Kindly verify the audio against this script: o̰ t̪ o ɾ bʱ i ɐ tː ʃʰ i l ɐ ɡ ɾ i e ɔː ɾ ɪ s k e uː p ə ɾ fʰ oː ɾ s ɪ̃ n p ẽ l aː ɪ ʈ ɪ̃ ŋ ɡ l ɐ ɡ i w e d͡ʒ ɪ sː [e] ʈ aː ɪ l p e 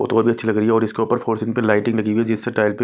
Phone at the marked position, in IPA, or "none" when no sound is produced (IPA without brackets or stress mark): e